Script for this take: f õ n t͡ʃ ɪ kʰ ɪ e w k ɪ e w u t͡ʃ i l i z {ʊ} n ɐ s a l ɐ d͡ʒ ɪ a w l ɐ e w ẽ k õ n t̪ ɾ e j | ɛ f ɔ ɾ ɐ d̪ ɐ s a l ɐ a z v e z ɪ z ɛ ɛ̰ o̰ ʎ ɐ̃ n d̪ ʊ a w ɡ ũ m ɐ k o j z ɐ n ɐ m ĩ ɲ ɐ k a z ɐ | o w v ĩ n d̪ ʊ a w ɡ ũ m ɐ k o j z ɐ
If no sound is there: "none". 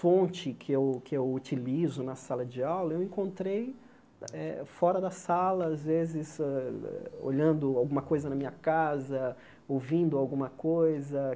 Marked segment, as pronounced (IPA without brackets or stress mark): ʊ